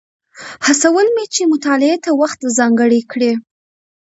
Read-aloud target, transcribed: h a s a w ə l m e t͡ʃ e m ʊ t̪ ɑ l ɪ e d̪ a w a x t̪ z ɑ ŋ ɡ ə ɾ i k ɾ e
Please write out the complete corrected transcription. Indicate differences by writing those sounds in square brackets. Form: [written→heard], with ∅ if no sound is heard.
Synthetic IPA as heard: h a s a w ə l m e t͡ʃ e m ʊ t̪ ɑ l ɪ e [d̪→t̪] a w a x t̪ z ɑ ŋ ɡ ə [ɾ→ɽ] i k [ɾ→ɽ] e